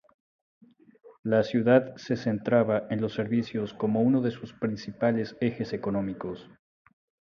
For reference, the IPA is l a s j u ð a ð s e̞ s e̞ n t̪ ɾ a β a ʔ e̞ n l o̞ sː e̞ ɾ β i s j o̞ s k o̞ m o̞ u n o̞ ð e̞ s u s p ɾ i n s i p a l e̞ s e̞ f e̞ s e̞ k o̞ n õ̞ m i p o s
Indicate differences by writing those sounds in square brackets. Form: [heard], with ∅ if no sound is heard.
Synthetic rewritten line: l a s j u ð a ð s e̞ s e̞ n t̪ ɾ a β a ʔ e̞ n l o̞ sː e̞ ɾ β i s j o̞ s k o̞ m o̞ u n o̞ ð e̞ s u s p ɾ i n s i p a l e̞ s e̞ [x] e̞ s e̞ k o̞ n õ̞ m i [k] o s

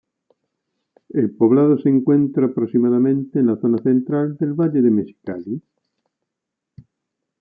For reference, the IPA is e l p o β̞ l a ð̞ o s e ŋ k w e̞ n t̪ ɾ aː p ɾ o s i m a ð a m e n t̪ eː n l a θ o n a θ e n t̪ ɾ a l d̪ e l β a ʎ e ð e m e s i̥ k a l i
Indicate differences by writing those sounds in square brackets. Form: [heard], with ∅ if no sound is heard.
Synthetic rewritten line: e l p o β̞ l a ð̞ o s e ŋ k w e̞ n t̪ ɾ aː p ɾ o s i m a ð a m [ẽ] n t̪ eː n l a θ o n a θ e n t̪ ɾ a l d̪ e l β a ʎ e ð e m e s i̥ k a l i

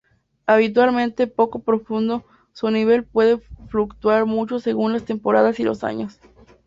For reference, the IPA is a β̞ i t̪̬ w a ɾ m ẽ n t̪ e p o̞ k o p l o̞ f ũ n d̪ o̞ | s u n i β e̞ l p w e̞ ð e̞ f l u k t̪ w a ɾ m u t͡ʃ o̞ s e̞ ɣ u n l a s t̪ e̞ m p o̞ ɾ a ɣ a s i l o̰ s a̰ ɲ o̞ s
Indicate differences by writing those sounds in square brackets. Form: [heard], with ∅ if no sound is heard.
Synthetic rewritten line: a β̞ i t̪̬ w a [l] m ẽ n t̪ e p o̞ k o p [ɾ] o̞ f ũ n d̪ o̞ | s u n i β e̞ l p w e̞ ð e̞ f l u k t̪ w a ɾ m u t͡ʃ o̞ s e̞ ɣ u n l a s t̪ e̞ m p o̞ ɾ a [ð] a s i l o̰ s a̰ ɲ o̞ s

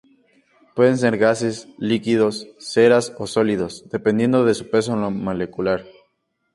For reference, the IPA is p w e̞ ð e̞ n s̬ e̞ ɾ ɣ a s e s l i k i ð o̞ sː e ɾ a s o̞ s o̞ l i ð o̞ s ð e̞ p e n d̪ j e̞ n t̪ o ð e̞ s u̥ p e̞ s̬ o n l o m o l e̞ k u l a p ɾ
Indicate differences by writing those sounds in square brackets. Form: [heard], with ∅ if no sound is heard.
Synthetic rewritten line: p w e̞ ð e̞ n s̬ e̞ ɾ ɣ a s e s l i k i ð o̞ sː e ɾ a s o̞ s o̞ l i ð o̞ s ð e̞ p e n d̪ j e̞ n [d̪] o ð e̞ s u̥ p e̞ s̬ o n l o m o l e̞ k u l a [∅] ɾ

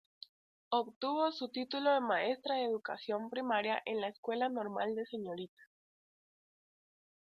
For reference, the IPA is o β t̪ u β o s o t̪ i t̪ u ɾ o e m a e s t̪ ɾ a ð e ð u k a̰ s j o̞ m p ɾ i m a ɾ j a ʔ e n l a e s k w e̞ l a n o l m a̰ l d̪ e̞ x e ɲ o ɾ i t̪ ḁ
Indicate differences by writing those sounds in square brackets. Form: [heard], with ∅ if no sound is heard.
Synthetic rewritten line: o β t̪ u β o s [u] t̪ i t̪ u [l] o e m a e s t̪ ɾ a ð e ð u k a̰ s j o̞ m p ɾ i m a ɾ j a ʔ e n l a e s k w e̞ l a n o [ɾ] m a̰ l d̪ e̞ [s] e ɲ o ɾ i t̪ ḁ

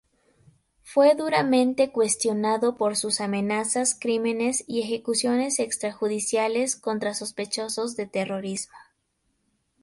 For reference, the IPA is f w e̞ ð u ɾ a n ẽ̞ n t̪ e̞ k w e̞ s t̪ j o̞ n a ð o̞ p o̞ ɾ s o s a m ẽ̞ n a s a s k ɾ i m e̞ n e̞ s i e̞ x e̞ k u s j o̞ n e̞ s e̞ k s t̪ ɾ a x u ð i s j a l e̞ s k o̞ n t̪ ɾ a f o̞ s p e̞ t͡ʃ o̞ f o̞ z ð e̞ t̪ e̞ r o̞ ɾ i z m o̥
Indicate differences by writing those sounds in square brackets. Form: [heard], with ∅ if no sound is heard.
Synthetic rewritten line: f w e̞ ð u ɾ a [m] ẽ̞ n t̪ e̞ k w e̞ s t̪ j o̞ n a ð o̞ p o̞ ɾ s [u] s a m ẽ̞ n a s a s k ɾ i m e̞ n e̞ s i e̞ x e̞ k u s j o̞ n e̞ s e̞ k s t̪ ɾ a x u ð i s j a l e̞ s k o̞ n t̪ ɾ a [s] o̞ s p e̞ t͡ʃ o̞ [s] o̞ z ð e̞ t̪ e̞ r o̞ ɾ i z m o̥

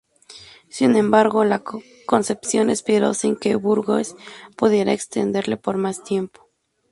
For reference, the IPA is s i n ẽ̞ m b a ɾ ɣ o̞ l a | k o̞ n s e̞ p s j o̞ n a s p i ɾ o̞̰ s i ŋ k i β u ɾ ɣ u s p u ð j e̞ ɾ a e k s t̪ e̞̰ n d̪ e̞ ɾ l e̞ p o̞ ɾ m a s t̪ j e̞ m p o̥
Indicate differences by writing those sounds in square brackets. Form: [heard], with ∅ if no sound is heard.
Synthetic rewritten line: s i n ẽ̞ m b a ɾ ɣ o̞ l a | k o̞ n s e̞ p s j o̞ n [e] s p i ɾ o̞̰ s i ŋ k [e] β u ɾ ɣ [o] s p u ð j e̞ ɾ a e k s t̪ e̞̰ n d̪ e̞ ɾ l e̞ p o̞ ɾ m a s t̪ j e̞ m p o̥

